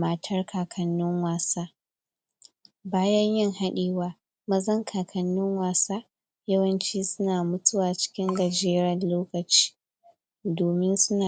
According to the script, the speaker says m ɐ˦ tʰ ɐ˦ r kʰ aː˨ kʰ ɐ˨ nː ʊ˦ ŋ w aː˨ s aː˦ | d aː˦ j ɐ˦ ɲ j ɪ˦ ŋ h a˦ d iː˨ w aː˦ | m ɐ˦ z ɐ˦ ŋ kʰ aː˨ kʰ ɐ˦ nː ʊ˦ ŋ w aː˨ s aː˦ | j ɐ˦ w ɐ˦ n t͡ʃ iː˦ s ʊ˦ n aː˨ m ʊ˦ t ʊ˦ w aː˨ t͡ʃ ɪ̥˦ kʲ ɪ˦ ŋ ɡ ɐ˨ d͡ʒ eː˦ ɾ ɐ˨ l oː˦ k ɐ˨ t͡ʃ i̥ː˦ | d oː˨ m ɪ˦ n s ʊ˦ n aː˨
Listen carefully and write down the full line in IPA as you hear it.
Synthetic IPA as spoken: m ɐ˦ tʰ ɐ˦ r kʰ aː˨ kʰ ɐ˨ nː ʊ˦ ŋ w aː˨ s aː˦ | b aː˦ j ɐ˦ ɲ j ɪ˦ ŋ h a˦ ɗ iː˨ w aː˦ | m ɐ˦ z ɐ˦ ŋ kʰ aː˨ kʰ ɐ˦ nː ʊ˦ ŋ w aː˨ s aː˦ | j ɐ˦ w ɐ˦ n t͡ʃ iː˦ s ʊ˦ n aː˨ m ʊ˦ t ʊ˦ w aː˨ t͡ʃ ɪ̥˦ kʲ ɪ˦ ŋ ɡ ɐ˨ d͡ʒ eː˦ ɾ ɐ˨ l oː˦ k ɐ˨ t͡ʃ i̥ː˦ | d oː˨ m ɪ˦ n s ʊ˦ n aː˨